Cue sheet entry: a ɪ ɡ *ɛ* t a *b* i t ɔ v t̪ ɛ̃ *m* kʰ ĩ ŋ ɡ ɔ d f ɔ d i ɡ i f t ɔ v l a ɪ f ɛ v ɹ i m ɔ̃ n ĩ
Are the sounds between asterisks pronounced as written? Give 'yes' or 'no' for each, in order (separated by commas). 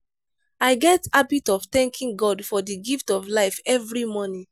yes, yes, no